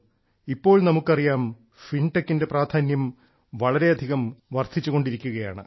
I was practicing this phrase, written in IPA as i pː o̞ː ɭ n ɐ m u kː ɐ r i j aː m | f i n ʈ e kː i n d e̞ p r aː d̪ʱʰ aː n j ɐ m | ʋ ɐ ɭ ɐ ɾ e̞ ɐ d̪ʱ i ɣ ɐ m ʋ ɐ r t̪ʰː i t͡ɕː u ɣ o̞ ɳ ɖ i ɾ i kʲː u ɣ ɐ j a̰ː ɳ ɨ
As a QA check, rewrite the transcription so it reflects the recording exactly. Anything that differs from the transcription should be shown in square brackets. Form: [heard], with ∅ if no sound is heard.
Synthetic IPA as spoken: i pː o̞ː ɭ n ɐ m u kː ɐ r i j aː m | f i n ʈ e kː i n d e̞ p r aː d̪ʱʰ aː n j ɐ m | ʋ ɐ ɭ ɐ ɾ e̞ ɐ d̪ʱ i ɣ ɐ m ʋ ɐ r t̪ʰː i t͡ɕː u ɣ o̞ ɳ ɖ i ɾ i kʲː u ɣ ɐ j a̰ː ɳ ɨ